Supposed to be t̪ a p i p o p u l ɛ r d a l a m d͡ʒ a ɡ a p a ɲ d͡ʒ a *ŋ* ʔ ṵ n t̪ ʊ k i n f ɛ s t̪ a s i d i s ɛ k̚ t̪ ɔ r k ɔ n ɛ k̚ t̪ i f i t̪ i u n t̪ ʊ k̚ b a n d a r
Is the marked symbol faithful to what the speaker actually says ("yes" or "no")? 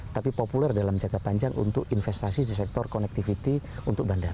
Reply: yes